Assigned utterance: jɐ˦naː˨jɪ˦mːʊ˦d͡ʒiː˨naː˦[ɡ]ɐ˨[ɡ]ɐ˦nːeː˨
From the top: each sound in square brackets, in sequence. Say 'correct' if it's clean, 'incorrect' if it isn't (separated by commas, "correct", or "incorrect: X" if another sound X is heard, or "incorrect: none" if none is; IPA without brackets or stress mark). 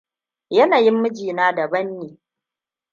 incorrect: d, incorrect: b